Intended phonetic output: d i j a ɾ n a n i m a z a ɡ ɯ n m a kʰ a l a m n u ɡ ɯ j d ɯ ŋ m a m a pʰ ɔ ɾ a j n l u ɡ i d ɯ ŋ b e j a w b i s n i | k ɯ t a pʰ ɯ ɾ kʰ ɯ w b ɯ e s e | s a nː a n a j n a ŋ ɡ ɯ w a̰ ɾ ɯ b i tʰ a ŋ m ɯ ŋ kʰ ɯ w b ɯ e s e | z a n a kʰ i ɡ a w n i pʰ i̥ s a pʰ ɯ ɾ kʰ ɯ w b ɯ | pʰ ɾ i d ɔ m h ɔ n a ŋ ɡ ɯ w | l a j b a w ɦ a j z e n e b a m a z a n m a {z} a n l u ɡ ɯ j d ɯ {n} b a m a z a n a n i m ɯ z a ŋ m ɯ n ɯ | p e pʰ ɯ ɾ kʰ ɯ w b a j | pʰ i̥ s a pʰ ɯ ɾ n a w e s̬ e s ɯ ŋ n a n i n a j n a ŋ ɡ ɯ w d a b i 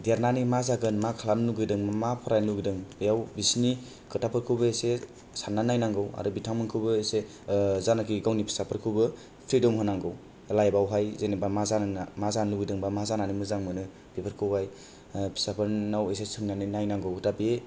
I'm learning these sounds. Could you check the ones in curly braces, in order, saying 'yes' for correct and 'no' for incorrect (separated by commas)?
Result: yes, no